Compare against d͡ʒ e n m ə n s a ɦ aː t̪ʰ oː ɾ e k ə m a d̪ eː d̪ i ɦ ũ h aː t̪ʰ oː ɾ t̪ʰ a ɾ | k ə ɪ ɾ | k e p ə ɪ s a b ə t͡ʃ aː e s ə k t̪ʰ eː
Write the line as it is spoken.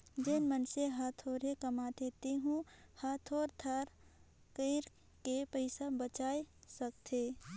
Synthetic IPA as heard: d͡ʒ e n m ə n s e ɦ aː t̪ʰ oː ɾ e k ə m a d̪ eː t̪ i ɦ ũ h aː t̪ʰ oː ɾ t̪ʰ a ɾ | k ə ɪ ɾ | k e p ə ɪ s a b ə t͡ʃ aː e s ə k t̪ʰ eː